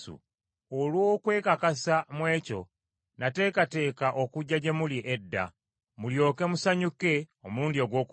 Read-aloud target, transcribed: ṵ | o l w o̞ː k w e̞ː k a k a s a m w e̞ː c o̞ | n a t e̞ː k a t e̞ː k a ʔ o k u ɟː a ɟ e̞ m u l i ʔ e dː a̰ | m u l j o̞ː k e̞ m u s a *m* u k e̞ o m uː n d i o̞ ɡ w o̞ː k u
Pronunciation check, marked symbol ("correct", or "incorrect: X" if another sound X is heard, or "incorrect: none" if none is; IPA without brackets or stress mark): incorrect: ɲ